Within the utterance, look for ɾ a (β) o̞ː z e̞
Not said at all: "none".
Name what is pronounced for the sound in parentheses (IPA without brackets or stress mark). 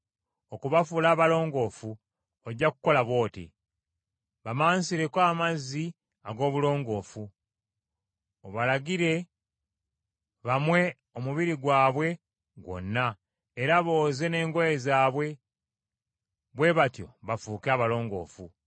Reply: β